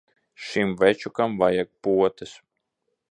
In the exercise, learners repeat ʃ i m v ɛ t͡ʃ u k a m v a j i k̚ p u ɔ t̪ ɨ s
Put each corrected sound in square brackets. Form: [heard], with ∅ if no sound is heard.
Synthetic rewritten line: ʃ i m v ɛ t͡ʃ u k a m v a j [a] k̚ p u ɔ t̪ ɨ s